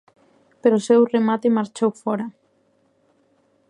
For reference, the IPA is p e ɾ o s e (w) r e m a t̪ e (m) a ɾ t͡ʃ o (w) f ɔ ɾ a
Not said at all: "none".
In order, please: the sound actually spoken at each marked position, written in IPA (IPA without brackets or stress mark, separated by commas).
w, m, w